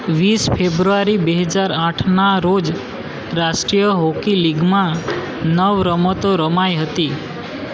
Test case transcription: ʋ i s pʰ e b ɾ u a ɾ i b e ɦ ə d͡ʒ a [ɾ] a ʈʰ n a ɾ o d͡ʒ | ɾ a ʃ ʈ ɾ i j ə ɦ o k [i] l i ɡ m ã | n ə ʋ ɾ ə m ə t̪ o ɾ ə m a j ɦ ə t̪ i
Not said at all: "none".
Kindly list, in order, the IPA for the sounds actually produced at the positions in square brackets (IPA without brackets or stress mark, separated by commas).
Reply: ɾ, i